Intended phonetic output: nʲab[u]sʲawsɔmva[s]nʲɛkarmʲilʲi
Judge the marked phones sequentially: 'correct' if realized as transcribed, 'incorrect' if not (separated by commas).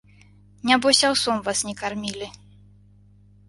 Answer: incorrect, correct